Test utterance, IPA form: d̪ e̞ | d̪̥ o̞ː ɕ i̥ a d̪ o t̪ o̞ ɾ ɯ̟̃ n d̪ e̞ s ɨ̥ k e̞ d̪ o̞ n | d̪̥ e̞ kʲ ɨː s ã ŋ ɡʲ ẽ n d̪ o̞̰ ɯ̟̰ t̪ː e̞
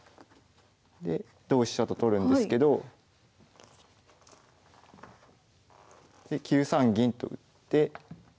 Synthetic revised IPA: d̪ e̞ | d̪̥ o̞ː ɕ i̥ a t̪ o t̪ o̞ ɾ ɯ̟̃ n d̪ e̞ s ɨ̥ k e̞ d̪ o̞ | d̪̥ e̞ kʲ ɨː s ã ŋ ɡʲ ĩ n t̪ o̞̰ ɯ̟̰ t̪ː e̞